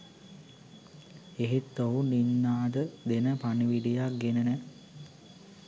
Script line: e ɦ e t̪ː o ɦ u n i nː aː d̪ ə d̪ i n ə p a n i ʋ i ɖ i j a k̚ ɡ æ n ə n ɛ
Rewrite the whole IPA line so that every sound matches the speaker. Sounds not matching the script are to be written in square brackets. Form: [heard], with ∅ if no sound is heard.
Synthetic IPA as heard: e ɦ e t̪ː o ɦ u n i nː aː d̪ ə d̪ [e] n ə p a n i ʋ i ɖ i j a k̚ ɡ [e] n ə n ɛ